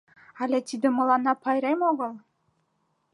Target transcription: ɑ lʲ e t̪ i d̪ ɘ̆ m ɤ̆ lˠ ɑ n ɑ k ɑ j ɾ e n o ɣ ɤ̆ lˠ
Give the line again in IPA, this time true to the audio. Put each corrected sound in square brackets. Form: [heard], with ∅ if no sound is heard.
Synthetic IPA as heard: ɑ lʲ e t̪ i d̪ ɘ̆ m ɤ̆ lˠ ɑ n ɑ [p] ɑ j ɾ e [m] o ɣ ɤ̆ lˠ

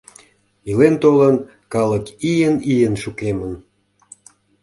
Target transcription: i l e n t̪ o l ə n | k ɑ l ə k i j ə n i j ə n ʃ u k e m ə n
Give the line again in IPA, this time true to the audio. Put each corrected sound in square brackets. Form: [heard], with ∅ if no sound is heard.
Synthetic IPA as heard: i l e n t̪ o l ə n | k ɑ l ə k i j ə n i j ə n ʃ u k e m ə n

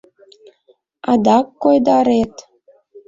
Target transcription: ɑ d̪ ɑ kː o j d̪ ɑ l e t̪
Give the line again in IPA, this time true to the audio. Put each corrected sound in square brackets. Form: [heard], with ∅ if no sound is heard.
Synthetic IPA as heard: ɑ d̪ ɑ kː o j d̪ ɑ [ɾ] e t̪

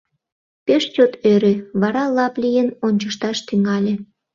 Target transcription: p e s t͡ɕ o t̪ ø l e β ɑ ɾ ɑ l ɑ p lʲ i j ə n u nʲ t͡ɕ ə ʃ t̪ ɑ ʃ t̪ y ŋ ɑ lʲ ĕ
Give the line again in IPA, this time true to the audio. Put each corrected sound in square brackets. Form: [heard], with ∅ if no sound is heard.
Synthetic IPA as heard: p e [ʃ] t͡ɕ o t̪ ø [ɾ] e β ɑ ɾ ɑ l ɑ p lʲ i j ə n [o] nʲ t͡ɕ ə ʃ t̪ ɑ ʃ t̪ y ŋ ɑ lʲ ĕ

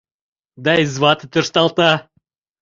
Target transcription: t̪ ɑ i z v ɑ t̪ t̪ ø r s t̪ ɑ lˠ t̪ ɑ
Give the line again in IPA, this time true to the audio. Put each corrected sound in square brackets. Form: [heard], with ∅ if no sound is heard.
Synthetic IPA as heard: [d̪] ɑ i z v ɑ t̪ t̪ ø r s t̪ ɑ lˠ t̪ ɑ

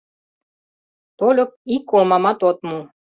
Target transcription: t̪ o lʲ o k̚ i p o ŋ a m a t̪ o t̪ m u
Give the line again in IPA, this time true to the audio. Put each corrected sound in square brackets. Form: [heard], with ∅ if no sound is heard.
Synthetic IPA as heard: t̪ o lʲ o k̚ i [k] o [m] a m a t̪ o t̪ m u

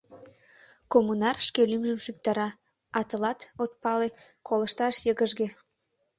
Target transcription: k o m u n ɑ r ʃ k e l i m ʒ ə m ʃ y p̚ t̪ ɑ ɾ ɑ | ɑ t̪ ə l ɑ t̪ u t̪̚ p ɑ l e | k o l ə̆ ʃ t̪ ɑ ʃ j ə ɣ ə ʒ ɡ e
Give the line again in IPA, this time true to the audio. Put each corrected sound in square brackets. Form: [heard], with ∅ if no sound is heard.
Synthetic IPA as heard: k o m u n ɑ r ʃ k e l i m ʒ ə m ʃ y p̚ t̪ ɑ ɾ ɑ | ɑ t̪ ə l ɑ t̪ [o] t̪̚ p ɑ l e | k o l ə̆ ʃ t̪ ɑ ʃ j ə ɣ ə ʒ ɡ e

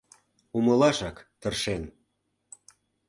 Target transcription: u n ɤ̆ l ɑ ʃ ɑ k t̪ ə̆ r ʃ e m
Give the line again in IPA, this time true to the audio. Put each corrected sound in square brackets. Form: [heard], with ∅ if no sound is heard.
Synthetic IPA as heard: u [m] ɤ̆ l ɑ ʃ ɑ k t̪ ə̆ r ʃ e [n]

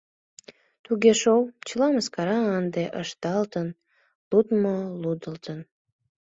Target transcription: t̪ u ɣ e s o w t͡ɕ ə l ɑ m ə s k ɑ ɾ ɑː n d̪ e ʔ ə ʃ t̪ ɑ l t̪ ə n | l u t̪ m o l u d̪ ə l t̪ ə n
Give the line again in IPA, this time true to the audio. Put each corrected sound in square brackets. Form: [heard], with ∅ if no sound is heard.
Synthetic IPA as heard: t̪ u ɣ e [ʃ] o w t͡ɕ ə l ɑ m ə s k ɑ ɾ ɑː n d̪ e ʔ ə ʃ t̪ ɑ l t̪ ə n | l u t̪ m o l u d̪ ə l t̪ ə n

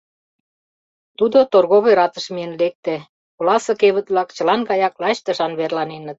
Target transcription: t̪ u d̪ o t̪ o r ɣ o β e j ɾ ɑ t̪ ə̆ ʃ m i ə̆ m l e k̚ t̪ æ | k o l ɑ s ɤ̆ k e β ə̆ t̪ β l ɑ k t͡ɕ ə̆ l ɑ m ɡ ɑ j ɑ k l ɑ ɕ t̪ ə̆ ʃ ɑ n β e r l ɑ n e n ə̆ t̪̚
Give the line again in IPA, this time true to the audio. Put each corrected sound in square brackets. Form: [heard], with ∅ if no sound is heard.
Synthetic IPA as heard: t̪ u d̪ o t̪ o r ɣ o β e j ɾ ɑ t̪ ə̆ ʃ m i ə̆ [n] l e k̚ t̪ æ | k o l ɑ s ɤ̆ k e β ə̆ t̪ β l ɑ k t͡ɕ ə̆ l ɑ [n] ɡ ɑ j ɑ k l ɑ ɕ t̪ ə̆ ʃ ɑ n β e r l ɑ n e n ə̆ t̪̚

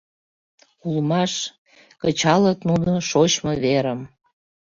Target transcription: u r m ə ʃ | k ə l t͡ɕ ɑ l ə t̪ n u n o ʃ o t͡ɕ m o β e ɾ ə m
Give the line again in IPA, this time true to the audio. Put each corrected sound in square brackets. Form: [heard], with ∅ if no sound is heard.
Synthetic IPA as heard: u [l] m [ɑ] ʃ | k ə [∅] t͡ɕ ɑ l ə t̪ n u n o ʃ o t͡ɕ m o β e ɾ ə m

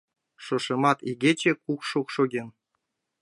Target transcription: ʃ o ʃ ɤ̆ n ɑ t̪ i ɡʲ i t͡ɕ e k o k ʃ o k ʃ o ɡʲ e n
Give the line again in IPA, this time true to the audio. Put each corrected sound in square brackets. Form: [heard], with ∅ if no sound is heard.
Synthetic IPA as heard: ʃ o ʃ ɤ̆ [m] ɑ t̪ i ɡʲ [e] t͡ɕ e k [u] k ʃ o k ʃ o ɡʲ e n

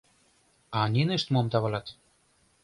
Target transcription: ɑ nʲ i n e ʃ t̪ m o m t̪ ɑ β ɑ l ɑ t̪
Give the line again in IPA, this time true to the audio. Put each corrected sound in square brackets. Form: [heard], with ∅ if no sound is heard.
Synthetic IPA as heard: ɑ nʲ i n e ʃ t̪ m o m t̪ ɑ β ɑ l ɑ t̪

